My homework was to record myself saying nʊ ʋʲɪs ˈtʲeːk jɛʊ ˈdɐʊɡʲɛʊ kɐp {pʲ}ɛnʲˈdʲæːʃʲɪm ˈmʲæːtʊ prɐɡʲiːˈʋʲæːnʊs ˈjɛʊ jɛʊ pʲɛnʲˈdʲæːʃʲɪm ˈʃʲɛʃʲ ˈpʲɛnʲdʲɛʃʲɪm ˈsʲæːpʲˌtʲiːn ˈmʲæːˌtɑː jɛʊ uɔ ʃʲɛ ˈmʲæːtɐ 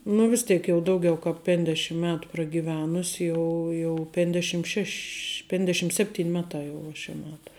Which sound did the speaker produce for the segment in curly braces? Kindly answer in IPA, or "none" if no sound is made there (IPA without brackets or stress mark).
pʲ